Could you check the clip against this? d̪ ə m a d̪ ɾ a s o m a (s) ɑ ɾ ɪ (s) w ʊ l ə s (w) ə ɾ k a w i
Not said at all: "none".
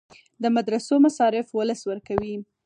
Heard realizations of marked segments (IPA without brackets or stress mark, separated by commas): s, f, w